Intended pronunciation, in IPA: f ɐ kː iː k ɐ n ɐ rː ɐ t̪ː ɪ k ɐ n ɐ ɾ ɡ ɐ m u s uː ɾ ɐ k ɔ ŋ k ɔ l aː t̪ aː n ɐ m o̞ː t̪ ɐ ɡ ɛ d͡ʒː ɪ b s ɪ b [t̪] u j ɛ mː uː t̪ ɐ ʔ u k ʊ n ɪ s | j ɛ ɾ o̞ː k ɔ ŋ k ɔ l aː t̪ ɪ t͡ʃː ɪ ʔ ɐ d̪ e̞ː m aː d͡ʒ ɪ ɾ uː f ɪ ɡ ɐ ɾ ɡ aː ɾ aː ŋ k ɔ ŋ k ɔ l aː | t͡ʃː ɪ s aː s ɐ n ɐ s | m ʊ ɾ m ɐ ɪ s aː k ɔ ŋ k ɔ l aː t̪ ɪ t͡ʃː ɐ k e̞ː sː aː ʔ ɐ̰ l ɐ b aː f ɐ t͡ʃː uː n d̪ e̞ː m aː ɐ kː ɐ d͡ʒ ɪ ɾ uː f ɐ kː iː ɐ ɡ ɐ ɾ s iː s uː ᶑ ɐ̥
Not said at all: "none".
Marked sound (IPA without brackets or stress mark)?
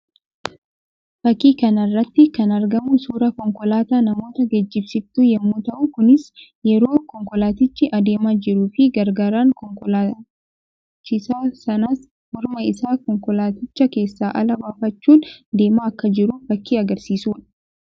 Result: t̪